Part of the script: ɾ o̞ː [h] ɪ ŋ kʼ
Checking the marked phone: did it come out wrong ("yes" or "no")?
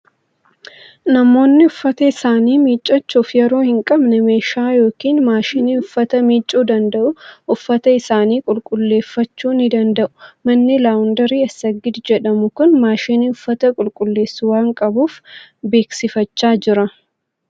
no